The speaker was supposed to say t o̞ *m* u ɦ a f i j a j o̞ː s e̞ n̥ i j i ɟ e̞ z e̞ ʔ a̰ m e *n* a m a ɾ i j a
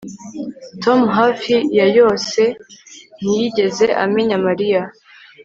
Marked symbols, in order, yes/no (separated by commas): yes, no